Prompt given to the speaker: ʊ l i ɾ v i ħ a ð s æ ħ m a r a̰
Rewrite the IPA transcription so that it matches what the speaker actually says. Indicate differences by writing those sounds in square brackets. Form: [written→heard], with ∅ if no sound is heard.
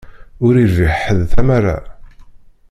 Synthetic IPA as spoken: ʊ [l→ɾ] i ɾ v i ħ [a→ə] ð [s→θ] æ [ħ→∅] m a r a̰